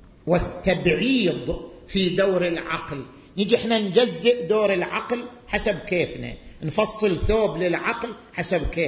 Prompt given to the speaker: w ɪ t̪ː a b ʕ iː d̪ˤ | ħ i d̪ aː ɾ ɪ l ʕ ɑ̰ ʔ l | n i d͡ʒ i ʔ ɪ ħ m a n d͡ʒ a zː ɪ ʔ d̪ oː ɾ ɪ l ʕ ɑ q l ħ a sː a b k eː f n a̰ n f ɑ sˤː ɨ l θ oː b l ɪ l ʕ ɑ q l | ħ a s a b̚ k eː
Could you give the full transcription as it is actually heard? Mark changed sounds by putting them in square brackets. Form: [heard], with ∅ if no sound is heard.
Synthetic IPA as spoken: w ɪ t̪ː a b ʕ iː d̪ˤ | [f] i d̪ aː ɾ ɪ l ʕ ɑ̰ [q] l | n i d͡ʒ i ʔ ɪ ħ [n] a n d͡ʒ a zː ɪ ʔ d̪ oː ɾ ɪ l ʕ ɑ q l ħ a [s] a b k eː f n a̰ n f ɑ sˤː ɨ l θ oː b l ɪ l ʕ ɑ q l | ħ a s a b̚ k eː